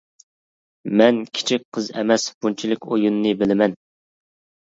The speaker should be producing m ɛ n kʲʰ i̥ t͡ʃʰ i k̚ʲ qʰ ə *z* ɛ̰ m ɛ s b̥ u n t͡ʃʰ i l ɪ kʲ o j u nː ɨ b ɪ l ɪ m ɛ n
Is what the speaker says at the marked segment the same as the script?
yes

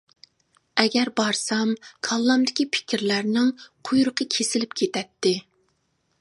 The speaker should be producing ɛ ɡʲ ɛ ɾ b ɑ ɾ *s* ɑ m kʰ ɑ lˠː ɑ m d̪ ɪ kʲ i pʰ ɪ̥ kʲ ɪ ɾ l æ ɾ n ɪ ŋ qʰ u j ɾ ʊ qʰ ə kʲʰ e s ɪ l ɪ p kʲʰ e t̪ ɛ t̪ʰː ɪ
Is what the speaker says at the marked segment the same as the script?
yes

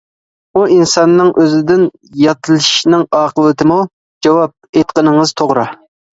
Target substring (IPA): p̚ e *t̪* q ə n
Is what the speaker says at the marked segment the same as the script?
yes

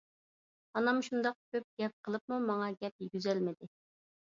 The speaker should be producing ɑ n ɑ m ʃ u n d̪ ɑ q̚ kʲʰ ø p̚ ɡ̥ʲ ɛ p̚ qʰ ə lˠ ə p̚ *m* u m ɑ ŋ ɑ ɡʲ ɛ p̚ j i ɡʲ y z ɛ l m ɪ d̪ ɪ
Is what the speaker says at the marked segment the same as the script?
yes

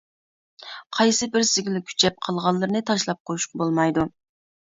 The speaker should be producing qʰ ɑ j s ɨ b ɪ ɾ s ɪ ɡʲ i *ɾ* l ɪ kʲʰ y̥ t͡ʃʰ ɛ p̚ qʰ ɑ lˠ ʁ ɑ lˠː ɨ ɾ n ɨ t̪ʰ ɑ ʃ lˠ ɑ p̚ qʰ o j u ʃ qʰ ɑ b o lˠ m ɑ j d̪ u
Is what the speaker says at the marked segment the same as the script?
no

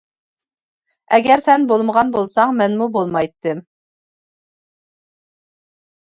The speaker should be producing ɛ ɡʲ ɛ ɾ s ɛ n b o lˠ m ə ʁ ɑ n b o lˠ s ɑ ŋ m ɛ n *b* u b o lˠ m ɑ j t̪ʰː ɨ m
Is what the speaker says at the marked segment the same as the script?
no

